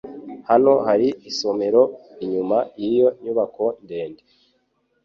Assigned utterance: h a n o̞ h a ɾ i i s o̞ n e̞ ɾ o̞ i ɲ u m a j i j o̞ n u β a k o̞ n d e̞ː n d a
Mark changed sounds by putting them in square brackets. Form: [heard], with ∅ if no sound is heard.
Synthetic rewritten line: h a n o̞ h a ɾ i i s o̞ [m] e̞ ɾ o̞ i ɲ u m a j i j o̞ [ɲ] u β a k o̞ n d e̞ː n d [e]